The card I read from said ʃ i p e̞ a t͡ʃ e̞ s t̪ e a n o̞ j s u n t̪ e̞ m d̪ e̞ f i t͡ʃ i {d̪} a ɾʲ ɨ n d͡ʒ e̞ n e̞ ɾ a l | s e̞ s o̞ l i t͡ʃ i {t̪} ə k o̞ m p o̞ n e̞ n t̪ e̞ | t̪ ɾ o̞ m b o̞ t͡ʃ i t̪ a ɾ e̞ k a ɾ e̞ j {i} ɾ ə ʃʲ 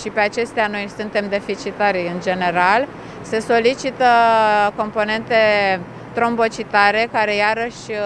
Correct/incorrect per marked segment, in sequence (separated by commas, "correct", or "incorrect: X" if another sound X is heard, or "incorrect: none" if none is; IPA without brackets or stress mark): incorrect: t̪, correct, incorrect: a